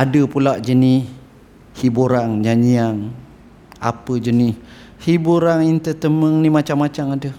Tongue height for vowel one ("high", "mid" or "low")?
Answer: low